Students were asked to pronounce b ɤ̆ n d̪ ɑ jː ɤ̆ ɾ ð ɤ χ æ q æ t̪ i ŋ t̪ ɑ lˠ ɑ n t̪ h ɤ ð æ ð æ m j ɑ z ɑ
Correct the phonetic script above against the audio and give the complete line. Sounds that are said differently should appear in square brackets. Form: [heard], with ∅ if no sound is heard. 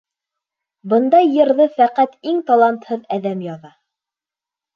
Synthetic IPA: b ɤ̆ n d̪ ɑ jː ɤ̆ ɾ ð ɤ [f] æ q æ t̪ i ŋ t̪ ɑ lˠ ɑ n t̪ h ɤ ð æ ð æ m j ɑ [ð] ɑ